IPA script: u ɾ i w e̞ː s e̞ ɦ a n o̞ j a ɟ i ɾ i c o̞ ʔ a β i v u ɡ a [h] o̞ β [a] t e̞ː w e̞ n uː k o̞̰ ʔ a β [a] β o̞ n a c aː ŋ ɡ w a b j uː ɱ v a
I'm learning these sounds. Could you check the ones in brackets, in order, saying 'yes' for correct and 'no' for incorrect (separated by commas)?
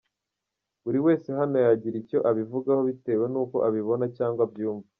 yes, no, no